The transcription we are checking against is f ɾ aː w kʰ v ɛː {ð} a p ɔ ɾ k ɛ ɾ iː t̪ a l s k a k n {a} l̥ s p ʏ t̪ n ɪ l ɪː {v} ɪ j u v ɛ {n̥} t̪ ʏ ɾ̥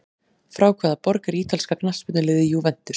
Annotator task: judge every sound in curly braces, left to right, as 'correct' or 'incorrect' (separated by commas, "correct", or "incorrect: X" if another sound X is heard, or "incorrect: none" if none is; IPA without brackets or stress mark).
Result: correct, correct, incorrect: ð, correct